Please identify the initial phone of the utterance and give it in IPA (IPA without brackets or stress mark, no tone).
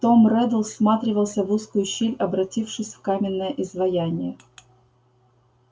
t̪